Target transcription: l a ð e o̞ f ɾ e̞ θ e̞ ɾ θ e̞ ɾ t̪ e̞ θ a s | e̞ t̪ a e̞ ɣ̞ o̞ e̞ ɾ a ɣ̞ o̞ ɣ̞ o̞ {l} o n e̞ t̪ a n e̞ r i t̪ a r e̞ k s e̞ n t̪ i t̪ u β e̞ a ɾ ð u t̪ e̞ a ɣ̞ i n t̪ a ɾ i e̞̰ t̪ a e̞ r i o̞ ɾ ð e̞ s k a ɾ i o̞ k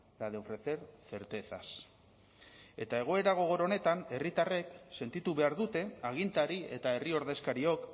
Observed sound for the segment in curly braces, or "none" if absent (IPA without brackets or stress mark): ɾ